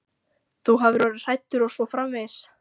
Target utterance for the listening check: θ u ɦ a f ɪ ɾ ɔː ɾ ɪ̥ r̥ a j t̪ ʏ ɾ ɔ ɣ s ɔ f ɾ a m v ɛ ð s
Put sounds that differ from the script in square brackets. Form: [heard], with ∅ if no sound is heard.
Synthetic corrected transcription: θ u ɦ a [v] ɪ ɾ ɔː ɾ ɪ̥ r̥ a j t̪ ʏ ɾ ɔ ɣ s ɔ f ɾ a m v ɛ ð s